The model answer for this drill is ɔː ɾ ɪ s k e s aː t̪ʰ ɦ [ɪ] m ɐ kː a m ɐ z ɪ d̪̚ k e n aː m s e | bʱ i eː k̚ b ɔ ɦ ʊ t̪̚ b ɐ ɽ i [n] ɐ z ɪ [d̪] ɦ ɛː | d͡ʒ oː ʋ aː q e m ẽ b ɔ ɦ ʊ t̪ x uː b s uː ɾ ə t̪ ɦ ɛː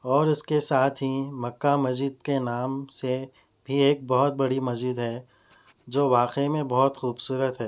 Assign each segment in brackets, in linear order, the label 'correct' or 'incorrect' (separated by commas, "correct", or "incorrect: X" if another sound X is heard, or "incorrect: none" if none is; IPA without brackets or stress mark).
incorrect: i, incorrect: m, correct